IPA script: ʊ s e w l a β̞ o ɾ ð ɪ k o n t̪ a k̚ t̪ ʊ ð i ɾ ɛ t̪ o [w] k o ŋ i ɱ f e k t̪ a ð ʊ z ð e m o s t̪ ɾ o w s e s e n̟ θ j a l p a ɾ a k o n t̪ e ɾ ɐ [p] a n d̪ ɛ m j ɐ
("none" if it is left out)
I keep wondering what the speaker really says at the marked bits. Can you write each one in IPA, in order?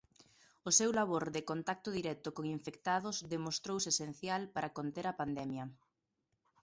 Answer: none, p

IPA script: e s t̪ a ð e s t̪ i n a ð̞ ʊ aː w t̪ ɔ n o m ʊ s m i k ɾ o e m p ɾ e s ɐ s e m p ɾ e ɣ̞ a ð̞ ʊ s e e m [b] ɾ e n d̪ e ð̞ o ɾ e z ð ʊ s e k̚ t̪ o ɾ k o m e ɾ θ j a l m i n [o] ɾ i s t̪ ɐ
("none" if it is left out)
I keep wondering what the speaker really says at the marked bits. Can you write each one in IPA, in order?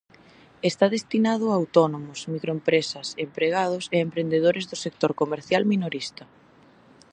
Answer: p, o

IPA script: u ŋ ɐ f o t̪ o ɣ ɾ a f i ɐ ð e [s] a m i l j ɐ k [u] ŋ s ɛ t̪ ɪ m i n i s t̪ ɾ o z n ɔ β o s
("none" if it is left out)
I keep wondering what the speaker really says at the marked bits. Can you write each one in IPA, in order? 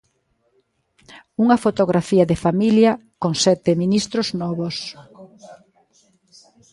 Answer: f, o

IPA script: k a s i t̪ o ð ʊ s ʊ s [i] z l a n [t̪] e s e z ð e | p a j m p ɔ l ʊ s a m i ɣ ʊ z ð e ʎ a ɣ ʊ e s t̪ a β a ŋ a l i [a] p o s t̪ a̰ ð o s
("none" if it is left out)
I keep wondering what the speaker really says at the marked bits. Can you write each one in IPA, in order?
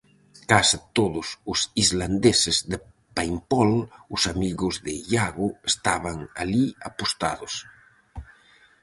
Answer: i, d̪, a

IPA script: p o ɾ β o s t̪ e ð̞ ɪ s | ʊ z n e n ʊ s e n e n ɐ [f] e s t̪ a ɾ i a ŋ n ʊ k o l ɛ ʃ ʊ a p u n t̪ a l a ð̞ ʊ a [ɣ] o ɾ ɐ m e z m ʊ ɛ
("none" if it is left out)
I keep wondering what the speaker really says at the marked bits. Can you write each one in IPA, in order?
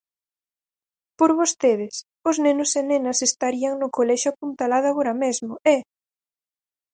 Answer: s, ɣ

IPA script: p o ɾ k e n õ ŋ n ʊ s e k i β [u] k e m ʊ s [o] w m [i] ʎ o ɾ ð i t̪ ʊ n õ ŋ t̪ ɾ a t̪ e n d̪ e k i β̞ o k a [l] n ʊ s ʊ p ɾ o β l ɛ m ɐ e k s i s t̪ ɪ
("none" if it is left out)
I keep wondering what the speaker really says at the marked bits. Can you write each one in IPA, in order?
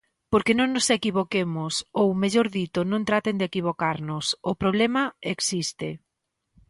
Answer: o, o, e, ɾ

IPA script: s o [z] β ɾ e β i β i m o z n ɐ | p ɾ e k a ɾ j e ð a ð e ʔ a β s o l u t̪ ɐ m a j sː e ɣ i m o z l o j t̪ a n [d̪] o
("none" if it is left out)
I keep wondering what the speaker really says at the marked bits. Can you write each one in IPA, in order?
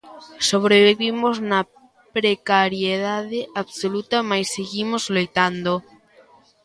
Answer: none, d̪

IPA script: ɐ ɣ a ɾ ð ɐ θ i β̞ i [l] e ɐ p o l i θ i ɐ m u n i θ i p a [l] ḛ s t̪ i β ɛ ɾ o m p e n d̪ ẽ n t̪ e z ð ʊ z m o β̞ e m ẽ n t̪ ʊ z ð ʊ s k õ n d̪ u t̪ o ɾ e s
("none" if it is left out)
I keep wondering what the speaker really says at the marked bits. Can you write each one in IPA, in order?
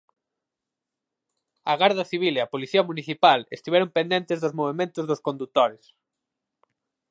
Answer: l, l

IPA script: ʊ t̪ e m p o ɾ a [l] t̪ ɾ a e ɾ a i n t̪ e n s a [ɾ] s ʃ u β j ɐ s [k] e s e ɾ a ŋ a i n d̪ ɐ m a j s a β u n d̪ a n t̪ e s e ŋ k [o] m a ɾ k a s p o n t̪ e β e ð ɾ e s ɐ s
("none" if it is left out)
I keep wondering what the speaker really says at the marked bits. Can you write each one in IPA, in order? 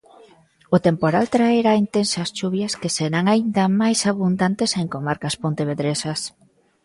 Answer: l, none, k, o

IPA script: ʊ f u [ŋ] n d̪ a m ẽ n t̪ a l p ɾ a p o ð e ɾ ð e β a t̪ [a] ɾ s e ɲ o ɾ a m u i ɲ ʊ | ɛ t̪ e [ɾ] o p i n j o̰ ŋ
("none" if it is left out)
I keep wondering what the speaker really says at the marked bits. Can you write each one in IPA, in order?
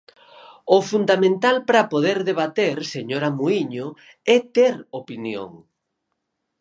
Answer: none, e, ɾ

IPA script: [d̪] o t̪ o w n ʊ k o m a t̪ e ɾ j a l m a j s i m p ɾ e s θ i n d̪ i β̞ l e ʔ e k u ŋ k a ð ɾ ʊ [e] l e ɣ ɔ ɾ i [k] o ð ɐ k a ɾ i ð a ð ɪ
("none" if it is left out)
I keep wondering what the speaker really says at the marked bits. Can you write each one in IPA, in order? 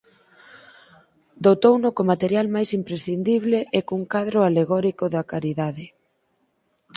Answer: d̪, a, k

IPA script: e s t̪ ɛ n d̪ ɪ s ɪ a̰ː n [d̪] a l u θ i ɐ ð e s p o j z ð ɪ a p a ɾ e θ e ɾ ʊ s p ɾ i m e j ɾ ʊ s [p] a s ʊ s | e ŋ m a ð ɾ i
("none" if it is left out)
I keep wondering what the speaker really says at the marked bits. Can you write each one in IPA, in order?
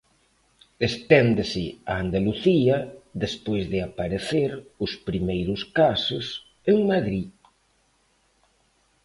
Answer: d̪, k

